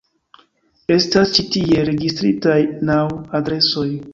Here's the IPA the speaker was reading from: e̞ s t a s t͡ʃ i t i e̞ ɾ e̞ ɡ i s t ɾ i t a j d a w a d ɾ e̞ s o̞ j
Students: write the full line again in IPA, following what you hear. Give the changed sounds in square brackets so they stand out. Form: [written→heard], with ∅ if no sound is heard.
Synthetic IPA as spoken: e̞ s t a s t͡ʃ i t i e̞ ɾ e̞ ɡ i s t ɾ i t a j [d→n] a w a d ɾ e̞ s o̞ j